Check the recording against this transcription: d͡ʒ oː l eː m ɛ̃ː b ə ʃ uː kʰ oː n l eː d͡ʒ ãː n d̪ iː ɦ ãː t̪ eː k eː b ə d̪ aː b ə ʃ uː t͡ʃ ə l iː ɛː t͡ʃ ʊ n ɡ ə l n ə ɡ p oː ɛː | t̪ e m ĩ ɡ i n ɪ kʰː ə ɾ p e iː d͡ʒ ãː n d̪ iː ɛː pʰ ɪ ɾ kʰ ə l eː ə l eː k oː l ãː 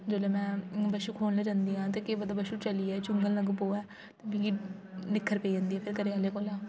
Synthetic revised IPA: d͡ʒ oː l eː m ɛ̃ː b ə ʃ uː kʰ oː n l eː d͡ʒ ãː n d̪ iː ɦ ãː t̪ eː k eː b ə d̪ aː b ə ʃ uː t͡ʃ ə l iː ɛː t͡ʃ ʊ ŋ ɡ ə l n ə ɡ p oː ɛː | t̪ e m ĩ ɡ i n ɪ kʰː ə ɾ p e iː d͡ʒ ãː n d̪ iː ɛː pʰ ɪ ɾ k ə ɾ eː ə l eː k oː l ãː